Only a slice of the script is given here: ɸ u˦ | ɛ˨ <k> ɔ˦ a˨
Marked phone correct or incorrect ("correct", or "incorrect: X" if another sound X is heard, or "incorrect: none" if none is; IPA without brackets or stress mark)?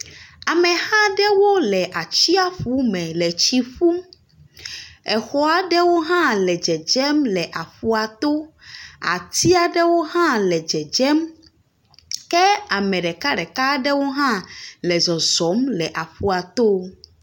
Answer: incorrect: x